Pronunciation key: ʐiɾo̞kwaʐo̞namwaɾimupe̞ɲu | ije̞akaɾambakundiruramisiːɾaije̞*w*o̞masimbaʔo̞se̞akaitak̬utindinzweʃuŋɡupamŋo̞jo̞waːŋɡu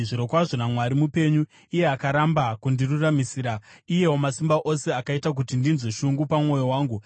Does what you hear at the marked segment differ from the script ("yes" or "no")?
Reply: no